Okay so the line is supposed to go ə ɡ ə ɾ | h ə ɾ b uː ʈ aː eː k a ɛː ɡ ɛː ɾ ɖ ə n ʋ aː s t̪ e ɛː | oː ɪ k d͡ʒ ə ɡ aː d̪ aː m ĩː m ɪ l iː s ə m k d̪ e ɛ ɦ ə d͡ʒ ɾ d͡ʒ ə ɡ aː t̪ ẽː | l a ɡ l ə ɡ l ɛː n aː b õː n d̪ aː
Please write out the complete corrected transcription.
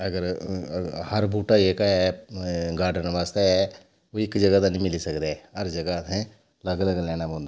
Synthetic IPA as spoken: ə ɡ ə ɾ | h ə ɾ b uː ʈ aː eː k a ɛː ɡ aː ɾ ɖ ə n ʋ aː s t̪ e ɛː | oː ɪ k d͡ʒ ə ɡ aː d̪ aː n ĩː m ɪ l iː s ə k d̪ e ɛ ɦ ə ɾ d͡ʒ ə ɡ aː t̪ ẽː | l ə ɡ l ə ɡ l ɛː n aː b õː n d̪ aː